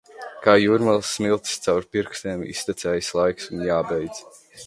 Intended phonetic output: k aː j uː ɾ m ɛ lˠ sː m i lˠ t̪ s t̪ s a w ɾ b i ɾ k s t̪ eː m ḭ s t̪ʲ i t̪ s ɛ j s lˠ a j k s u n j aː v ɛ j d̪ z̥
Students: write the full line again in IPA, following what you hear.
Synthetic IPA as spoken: k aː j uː ɾ m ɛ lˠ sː m i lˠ t̪ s t̪ s a w ɾ p i ɾ k s t̪ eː m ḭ s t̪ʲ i t̪ s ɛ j s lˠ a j k s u n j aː b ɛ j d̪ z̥